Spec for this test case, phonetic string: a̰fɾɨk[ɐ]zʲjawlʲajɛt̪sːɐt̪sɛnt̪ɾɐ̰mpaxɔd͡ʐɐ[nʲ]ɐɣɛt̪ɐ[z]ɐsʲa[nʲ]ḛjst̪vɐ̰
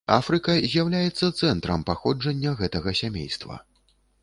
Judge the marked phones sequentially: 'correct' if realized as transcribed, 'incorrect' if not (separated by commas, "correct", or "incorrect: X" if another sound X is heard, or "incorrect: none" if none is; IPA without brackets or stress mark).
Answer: correct, incorrect: nʲː, incorrect: ɣ, incorrect: mʲ